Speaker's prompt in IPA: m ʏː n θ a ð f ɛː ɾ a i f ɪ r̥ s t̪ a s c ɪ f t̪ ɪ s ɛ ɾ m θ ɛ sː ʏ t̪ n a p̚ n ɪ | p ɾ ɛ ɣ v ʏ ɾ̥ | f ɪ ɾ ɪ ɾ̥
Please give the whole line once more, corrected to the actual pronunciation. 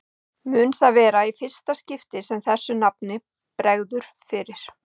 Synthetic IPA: m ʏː n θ a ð v ɛː ɾ a i f ɪ r̥ s t̪ a s c ɪ f t̪ ɪ s ɛ m θ ɛ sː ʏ n a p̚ n ɪ | p ɾ ɛ ɣ ð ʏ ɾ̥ | f ɪ ɾ ɪ ɾ̥